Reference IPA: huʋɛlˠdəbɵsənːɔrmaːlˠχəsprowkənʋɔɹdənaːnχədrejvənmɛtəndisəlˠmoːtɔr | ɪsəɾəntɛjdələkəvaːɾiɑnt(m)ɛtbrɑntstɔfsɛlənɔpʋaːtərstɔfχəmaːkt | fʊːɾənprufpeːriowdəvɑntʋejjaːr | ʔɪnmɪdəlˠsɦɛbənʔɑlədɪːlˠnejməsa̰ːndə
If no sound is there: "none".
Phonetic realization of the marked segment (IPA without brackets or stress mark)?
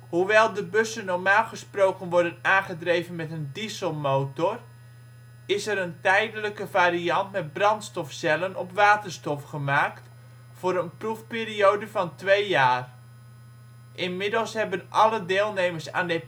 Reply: m